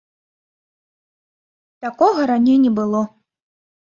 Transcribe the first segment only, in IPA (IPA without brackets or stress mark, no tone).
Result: t̪